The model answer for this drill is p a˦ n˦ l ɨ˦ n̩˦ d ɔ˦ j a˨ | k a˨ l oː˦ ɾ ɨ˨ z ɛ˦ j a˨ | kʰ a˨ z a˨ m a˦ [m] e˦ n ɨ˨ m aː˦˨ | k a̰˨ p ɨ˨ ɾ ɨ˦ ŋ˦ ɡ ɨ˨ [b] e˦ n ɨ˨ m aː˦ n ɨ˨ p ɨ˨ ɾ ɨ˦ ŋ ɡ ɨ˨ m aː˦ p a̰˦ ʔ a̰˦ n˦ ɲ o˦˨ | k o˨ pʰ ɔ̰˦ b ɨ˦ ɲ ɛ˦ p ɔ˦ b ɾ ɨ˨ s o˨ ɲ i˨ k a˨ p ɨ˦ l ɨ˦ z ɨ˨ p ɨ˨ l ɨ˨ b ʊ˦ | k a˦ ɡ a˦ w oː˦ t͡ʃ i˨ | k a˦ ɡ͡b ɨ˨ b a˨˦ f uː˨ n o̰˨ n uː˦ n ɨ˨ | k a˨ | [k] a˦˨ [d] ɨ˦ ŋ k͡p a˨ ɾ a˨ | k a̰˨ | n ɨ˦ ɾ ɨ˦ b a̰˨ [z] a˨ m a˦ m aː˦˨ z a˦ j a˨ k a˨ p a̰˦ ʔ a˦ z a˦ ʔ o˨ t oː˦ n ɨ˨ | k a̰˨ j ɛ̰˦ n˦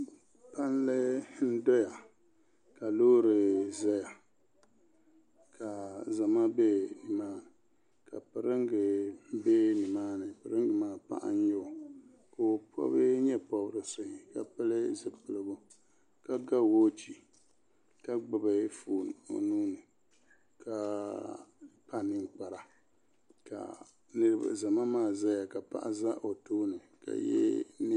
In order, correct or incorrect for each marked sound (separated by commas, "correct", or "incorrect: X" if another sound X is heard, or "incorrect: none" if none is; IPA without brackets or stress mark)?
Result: incorrect: b, correct, incorrect: p, incorrect: n, correct